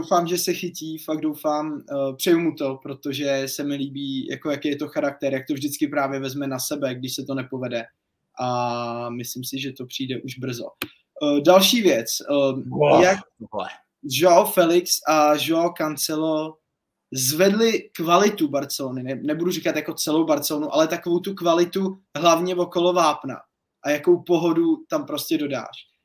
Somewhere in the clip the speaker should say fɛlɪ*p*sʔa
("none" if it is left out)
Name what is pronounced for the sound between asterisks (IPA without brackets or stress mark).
k